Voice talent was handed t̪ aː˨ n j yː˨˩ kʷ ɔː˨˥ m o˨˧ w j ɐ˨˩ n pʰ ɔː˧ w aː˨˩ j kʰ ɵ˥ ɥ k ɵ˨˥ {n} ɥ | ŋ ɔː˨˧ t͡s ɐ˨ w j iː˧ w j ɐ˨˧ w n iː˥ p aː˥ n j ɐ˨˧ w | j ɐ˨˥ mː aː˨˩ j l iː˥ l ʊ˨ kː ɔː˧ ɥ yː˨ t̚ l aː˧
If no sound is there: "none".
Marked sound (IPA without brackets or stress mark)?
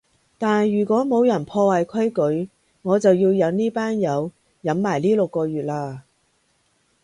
none